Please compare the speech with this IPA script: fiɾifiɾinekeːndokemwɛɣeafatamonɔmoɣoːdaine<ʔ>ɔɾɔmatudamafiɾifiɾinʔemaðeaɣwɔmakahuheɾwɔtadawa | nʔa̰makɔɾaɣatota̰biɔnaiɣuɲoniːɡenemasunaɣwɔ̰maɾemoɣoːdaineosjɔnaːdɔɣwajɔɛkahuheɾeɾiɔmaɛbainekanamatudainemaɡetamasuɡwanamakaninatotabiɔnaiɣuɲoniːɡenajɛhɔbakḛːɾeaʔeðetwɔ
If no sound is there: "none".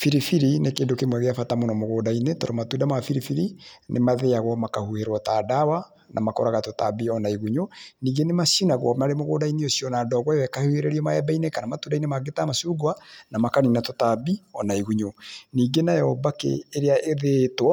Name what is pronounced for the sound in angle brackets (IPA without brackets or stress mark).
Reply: t